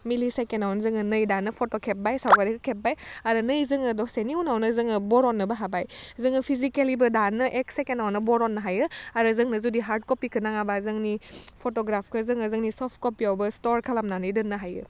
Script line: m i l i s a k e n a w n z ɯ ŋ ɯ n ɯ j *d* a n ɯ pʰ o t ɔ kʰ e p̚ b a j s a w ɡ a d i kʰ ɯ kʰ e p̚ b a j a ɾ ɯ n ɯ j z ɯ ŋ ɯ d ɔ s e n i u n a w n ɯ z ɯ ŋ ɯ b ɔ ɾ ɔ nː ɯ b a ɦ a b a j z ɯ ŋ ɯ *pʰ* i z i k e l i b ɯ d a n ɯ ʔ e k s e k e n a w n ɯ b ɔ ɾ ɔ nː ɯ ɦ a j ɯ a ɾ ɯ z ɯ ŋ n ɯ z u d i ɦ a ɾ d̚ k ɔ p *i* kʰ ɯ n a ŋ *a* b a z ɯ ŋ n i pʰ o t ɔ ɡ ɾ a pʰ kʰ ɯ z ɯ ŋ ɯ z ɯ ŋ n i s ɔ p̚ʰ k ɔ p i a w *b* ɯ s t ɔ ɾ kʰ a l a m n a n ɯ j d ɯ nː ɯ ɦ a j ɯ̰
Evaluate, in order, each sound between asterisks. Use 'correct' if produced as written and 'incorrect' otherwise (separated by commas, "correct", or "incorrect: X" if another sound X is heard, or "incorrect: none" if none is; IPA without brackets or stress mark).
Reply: correct, correct, correct, correct, correct